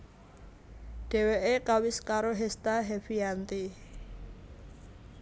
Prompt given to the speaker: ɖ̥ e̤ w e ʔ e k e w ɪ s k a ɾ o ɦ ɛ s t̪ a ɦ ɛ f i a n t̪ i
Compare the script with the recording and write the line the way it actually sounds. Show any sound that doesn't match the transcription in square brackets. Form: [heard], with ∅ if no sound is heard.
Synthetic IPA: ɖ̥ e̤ w e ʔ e k [a] w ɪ s k a ɾ o ɦ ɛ s t̪ a ɦ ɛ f i a n t̪ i

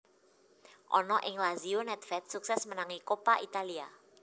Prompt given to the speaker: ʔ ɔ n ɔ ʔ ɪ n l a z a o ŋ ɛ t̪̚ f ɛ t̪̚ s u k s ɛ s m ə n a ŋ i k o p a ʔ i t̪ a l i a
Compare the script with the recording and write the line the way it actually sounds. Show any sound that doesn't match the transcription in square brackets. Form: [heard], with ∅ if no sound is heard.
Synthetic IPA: ʔ ɔ n ɔ ʔ ɪ [ŋ] l a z [i] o [n] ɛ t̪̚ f ɛ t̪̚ s u k s ɛ s m ə n a ŋ i k o p a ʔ i t̪ a l i a

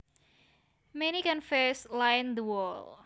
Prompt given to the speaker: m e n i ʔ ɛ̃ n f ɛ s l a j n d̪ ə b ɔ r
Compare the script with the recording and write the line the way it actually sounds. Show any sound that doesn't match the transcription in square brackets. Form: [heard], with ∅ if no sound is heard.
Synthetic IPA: m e n i [k] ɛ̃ n f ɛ s l a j n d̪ ə [w] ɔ [l]

